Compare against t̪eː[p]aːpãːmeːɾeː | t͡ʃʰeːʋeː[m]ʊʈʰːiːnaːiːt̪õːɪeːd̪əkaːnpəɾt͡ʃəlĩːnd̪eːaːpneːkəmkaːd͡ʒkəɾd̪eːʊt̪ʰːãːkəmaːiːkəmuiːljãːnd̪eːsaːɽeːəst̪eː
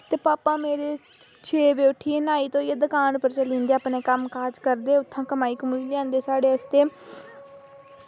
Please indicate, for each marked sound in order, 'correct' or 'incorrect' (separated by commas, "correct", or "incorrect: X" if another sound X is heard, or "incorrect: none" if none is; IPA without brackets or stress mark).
correct, incorrect: none